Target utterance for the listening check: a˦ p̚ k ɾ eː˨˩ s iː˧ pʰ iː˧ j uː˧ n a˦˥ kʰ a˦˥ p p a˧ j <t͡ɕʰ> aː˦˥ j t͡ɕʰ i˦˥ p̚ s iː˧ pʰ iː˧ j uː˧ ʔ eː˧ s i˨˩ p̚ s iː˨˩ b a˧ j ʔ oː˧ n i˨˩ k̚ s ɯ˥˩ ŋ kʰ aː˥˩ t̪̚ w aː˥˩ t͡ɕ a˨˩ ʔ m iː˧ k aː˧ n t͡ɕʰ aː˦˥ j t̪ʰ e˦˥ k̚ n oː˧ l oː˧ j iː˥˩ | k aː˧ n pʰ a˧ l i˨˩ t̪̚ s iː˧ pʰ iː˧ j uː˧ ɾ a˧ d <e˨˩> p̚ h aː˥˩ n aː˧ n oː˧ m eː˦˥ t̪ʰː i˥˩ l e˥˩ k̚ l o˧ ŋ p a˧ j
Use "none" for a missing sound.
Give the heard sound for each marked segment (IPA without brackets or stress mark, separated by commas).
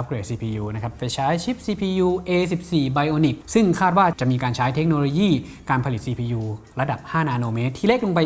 t͡ɕʰ, a˨˩